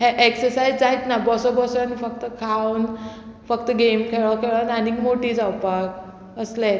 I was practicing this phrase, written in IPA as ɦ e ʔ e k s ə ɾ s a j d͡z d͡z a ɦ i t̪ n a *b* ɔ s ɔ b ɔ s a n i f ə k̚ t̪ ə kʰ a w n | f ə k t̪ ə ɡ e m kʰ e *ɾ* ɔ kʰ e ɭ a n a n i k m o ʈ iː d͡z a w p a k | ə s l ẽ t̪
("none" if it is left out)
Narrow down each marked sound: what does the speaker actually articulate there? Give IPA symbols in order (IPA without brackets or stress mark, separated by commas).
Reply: b, ɭ